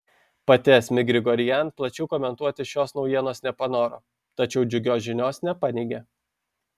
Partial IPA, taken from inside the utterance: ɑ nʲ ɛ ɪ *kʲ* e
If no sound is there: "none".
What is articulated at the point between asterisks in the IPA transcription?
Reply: ɡʲ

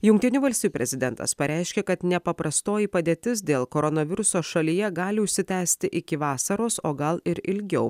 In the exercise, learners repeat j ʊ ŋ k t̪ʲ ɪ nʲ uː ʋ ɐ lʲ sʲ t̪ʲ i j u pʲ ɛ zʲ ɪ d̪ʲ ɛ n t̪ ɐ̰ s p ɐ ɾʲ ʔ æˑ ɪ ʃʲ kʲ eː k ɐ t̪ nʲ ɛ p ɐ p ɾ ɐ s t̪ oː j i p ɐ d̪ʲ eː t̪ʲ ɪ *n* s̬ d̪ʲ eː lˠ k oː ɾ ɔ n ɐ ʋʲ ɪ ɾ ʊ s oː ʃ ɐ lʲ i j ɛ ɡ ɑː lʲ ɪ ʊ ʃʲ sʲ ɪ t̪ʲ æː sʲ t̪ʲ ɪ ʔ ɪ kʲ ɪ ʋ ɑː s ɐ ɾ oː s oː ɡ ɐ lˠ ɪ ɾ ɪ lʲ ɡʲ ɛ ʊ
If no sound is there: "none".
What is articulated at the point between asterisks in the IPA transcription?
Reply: none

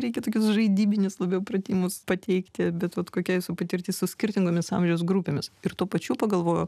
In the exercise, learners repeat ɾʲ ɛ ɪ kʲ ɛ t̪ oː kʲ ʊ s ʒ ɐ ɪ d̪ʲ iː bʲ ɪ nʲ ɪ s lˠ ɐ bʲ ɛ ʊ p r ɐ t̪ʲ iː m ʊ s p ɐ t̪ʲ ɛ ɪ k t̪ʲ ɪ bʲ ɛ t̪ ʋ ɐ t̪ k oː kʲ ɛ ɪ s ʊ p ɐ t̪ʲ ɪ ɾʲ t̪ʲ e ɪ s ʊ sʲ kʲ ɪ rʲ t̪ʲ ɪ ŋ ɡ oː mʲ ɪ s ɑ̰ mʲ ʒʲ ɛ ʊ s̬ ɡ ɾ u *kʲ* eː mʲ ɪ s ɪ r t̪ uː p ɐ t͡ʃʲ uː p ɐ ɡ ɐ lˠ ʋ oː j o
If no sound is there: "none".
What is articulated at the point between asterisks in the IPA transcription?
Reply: pʲ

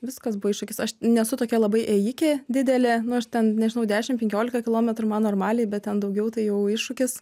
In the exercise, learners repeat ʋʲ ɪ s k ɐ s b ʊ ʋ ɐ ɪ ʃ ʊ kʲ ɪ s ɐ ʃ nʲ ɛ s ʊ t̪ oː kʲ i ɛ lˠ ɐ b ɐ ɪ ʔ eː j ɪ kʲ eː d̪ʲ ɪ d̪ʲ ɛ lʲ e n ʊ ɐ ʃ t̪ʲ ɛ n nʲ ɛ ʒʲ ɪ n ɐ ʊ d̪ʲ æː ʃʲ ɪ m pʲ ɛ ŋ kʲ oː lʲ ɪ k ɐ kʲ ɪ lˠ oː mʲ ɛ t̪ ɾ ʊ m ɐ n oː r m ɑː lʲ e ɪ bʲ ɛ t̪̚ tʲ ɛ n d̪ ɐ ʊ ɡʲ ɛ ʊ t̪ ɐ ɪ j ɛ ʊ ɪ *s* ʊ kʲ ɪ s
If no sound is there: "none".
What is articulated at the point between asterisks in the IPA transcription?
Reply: ʃ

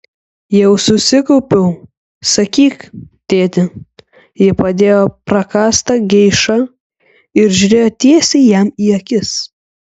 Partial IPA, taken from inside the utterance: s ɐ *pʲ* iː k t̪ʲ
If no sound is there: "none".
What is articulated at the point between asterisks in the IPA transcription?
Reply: kʲ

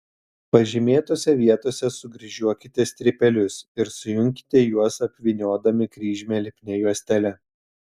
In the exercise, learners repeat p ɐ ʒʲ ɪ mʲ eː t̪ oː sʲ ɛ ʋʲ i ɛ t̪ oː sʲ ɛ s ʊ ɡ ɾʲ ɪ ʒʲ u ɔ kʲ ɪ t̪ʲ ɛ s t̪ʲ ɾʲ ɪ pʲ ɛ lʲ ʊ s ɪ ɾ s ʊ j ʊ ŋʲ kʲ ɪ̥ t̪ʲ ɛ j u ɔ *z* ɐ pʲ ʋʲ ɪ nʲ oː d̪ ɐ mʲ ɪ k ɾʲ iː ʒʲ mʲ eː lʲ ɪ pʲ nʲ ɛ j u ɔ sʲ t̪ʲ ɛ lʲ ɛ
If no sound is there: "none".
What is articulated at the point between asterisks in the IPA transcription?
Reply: s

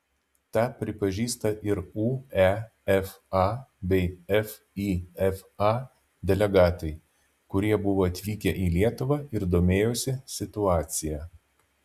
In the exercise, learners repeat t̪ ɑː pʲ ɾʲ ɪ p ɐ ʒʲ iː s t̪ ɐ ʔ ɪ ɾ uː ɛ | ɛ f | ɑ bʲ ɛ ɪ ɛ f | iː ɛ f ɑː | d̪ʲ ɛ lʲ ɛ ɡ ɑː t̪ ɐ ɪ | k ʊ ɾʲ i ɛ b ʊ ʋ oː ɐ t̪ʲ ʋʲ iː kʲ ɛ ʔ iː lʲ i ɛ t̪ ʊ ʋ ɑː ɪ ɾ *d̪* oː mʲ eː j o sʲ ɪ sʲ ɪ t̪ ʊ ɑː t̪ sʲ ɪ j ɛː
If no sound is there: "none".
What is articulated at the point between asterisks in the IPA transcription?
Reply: d̪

